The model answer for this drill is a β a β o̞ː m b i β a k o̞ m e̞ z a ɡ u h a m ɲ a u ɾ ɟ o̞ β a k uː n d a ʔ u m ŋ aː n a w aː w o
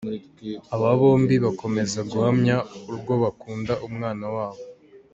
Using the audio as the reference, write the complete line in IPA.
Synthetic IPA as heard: a β a β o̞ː m b i β a k o̞ m e̞ z a ɡ u h a m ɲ a u ɾ ɡ o̞ β a k uː n d a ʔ u m ŋ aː n a w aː β o